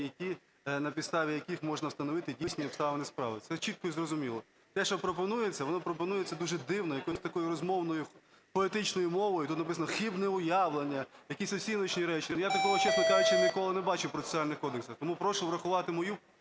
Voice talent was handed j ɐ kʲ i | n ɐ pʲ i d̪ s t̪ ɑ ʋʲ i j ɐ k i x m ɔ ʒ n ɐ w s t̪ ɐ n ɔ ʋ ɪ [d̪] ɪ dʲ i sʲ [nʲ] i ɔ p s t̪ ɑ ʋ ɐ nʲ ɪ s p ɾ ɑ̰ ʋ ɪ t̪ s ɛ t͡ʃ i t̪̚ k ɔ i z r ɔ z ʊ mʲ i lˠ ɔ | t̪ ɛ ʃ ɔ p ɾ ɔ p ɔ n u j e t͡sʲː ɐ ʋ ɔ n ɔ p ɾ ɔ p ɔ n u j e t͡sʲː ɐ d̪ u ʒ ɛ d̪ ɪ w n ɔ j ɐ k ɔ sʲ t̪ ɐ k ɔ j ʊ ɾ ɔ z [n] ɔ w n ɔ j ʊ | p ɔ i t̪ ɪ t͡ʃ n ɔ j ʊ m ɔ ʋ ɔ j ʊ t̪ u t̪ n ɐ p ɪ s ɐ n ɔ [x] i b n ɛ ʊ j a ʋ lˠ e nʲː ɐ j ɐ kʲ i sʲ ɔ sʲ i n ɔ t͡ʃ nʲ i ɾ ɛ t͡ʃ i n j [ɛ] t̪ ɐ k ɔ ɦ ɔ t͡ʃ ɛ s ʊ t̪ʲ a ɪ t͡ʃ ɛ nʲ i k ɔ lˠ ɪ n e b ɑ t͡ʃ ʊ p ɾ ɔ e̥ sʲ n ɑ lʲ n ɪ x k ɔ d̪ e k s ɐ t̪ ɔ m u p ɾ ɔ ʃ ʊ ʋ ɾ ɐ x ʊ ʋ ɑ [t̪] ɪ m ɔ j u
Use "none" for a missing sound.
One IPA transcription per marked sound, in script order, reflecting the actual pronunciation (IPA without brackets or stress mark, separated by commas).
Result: t̪, nʲ, m, x, a, t̪